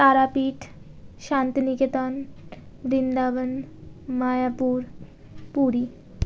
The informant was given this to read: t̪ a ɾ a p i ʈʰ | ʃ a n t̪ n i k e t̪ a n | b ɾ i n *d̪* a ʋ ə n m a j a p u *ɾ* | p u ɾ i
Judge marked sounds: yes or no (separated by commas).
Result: yes, yes